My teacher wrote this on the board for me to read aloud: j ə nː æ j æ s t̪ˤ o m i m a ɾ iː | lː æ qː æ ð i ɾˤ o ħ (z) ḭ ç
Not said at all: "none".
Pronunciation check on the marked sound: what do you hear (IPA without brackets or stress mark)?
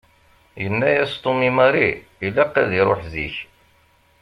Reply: z